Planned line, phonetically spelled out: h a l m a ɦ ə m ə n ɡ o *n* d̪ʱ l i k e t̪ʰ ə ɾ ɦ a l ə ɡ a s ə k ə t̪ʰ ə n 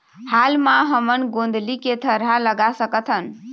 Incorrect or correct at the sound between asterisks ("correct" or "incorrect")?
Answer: correct